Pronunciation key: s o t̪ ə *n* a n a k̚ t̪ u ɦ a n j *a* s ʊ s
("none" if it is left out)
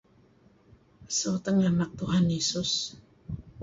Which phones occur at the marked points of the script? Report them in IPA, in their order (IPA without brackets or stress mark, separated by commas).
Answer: ŋ, e